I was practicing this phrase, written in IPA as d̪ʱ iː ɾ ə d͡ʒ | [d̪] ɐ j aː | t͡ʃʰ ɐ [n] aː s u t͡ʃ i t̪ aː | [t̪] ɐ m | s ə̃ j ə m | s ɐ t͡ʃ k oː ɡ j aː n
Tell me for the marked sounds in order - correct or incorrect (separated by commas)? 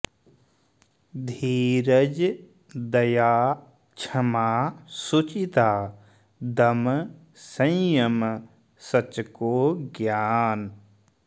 correct, incorrect, incorrect